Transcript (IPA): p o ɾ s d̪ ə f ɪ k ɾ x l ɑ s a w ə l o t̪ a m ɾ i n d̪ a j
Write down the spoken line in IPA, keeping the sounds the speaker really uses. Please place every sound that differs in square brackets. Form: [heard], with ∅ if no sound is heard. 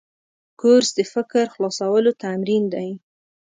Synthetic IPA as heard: [k] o ɾ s d̪ ə f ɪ k ɾ x l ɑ s a w ə l o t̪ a m ɾ i n d̪ a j